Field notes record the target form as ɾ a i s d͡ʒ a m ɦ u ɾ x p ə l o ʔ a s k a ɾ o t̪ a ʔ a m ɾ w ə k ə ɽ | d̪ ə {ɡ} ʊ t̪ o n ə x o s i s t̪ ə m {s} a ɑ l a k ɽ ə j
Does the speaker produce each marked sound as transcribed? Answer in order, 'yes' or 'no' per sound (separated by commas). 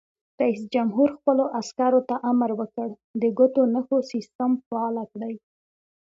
yes, no